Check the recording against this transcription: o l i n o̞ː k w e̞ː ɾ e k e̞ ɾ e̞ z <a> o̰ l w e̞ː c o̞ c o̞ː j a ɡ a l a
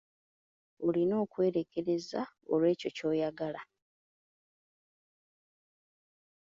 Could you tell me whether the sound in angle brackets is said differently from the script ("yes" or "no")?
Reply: no